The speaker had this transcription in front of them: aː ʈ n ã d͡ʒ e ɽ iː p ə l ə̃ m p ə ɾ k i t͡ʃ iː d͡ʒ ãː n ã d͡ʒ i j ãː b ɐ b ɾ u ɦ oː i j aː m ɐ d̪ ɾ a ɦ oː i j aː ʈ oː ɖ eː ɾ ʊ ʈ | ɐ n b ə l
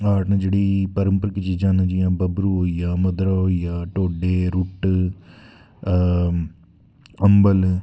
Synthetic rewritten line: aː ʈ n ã d͡ʒ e ɽ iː p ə ɾ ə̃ m p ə ɾ k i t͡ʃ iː d͡ʒ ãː n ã d͡ʒ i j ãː b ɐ b ɾ u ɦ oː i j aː m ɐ d̪ ɾ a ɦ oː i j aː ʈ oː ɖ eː ɾ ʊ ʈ | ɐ m b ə l

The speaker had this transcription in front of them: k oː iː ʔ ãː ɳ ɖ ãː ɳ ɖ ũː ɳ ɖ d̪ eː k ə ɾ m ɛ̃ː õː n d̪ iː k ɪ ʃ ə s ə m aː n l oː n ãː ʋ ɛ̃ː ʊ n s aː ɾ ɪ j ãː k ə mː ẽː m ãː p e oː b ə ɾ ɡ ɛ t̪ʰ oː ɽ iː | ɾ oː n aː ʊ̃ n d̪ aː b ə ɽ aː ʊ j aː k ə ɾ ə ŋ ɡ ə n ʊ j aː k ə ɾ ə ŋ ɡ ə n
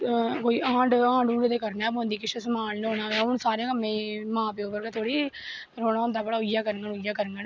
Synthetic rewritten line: k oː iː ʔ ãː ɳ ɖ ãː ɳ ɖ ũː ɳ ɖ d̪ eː k ə ɾ n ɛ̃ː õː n d̪ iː k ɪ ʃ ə s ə m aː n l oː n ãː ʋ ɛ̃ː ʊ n s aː ɾ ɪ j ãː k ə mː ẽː m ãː p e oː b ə ɾ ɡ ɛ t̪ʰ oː ɽ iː | ɾ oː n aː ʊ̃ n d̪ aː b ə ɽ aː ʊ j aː k ə ɾ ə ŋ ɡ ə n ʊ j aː k ə ɾ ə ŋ ɡ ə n

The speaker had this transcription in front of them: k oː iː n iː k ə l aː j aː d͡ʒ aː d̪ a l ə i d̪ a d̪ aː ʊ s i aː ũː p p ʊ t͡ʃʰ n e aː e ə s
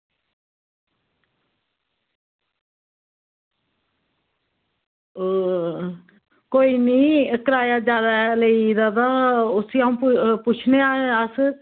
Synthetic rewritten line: k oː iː n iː k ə ɾ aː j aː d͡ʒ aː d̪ a l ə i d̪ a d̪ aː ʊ s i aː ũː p p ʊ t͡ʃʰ n e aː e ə s

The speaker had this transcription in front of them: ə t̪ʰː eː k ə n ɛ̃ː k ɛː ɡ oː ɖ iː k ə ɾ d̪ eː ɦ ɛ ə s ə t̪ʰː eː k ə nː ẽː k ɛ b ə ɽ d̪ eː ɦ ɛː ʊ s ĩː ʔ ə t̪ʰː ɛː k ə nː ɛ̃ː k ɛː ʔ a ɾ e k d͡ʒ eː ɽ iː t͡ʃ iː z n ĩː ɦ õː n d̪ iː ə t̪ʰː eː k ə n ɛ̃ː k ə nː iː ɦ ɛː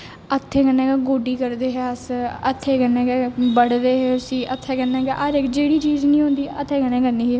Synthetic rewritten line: ə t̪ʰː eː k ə n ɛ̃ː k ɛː ɡ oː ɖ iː k ə ɾ d̪ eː ɦ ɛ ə s ə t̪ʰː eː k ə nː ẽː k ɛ b ə ɽ d̪ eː ɦ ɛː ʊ s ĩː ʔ ə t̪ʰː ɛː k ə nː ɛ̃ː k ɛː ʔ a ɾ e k d͡ʒ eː ɽ iː t͡ʃ iː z n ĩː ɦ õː n d̪ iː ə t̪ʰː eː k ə n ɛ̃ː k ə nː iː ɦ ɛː

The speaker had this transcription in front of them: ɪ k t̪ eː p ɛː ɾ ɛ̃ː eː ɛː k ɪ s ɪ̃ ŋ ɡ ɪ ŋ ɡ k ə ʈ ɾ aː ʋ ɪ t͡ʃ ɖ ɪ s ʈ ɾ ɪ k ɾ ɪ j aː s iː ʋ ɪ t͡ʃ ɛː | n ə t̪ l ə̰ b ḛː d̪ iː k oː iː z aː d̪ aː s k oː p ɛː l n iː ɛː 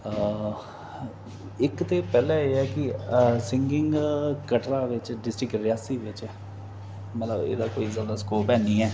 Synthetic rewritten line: ɪ k t̪ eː p ɛː l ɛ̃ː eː ɛː k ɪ s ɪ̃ ŋ ɡ ɪ ŋ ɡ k ə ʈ ɾ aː ʋ ɪ t͡ʃ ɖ ɪ s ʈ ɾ ɪ k ɾ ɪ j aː s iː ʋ ɪ t͡ʃ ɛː | m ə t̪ l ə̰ b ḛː d̪ aː k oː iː z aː d̪ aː s k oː p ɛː n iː ɛː

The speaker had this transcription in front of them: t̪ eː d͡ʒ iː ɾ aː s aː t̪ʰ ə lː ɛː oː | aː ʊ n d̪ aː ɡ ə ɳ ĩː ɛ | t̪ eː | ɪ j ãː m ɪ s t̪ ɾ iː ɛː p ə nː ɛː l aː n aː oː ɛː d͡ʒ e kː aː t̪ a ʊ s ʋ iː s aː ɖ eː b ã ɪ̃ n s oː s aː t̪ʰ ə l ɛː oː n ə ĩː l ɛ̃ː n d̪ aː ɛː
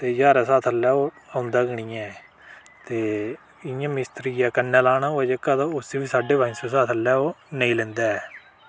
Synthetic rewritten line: t̪ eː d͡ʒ aː ɾ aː s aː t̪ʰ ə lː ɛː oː | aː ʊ n d̪ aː ɡ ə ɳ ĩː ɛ | t̪ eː | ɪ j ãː m ɪ s t̪ ɾ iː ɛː k ə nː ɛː l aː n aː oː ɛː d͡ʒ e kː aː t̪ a ʊ s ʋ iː s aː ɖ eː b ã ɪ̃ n s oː s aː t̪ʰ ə l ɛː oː n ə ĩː l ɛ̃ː n d̪ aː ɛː

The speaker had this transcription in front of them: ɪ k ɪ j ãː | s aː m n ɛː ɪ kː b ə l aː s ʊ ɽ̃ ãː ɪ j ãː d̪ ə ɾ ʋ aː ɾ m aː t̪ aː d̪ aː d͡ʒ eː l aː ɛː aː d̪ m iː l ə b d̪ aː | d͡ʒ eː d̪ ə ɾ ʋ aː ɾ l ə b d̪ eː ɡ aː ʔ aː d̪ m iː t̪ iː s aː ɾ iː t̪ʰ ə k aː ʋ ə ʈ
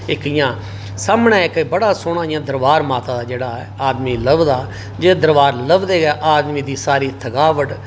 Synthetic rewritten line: ɪ k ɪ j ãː | s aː m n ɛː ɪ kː b ə ɽ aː s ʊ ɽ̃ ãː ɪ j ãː d̪ ə ɾ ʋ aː ɾ m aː t̪ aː d̪ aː d͡ʒ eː ɽ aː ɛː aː d̪ m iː l ə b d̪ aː | d͡ʒ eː d̪ ə ɾ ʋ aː ɾ l ə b d̪ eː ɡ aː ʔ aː d̪ m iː d̪ iː s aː ɾ iː t̪ʰ ə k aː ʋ ə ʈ

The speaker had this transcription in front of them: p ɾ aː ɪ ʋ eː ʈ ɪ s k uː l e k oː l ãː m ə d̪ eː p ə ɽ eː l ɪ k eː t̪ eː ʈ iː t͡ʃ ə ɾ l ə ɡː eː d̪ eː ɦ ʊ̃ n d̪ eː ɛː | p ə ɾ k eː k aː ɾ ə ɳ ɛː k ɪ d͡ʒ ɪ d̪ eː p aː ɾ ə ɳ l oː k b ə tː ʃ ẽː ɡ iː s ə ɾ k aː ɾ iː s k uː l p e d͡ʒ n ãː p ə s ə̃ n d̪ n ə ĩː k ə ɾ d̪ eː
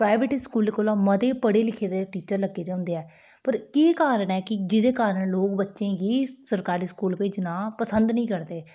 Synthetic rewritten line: p ɾ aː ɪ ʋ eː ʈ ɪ s k uː l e k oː l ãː m ə d̪ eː p ə ɽ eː l ɪ kʰ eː d̪ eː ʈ iː t͡ʃ ə ɾ l ə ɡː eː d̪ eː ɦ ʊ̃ n d̪ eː ɛː | p ə ɾ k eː k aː ɾ ə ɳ ɛː k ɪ d͡ʒ ɪ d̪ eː k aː ɾ ə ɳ l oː k b ə tː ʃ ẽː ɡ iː s ə ɾ k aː ɾ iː s k uː l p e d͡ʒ n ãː p ə s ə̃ n d̪ n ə ĩː k ə ɾ d̪ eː

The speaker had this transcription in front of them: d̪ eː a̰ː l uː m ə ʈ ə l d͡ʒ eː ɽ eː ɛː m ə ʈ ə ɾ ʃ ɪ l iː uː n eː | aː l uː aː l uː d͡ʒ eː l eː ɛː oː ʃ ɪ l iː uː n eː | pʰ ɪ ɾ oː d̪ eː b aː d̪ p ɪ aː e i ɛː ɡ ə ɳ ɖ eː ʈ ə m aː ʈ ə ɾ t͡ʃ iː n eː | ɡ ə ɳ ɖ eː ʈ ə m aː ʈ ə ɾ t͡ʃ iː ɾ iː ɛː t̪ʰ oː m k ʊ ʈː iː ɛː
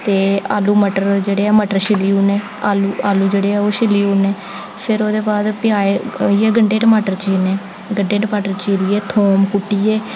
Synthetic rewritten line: t̪ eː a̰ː l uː m ə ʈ ə ɾ d͡ʒ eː ɽ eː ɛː m ə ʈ ə ɾ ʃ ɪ l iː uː n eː | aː l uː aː l uː d͡ʒ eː ɽ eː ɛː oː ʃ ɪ l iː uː n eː | pʰ ɪ ɾ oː d̪ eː b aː d̪ p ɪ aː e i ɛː ɡ ə ɳ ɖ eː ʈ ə m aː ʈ ə ɾ t͡ʃ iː n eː | ɡ ə ɳ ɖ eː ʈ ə m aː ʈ ə ɾ t͡ʃ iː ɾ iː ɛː t̪ʰ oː m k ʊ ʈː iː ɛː

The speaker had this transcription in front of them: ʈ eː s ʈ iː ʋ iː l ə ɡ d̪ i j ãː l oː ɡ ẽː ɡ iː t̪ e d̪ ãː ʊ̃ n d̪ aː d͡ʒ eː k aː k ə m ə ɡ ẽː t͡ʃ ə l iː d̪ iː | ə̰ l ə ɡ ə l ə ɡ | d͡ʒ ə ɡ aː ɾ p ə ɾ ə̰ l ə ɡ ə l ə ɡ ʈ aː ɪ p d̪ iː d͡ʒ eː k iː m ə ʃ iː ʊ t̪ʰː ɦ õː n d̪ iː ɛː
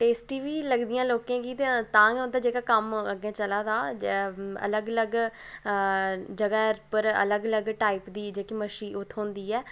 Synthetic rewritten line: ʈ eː s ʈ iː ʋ iː l ə ɡ d̪ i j ãː l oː k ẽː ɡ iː t̪ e t̪ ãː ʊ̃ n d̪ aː d͡ʒ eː k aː k ə m ə ɡ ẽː t͡ʃ ə l aː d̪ aː | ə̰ l ə ɡ ə l ə ɡ | d͡ʒ ə ɡ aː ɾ p ə ɾ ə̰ l ə ɡ ə l ə ɡ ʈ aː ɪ p d̪ iː d͡ʒ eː k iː m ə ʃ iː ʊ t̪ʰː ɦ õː n d̪ iː ɛː

